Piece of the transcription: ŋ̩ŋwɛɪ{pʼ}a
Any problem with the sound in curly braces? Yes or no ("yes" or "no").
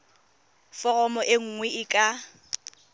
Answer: yes